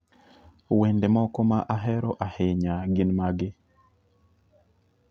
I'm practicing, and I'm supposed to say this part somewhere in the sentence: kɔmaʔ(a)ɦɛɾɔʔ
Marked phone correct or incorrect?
correct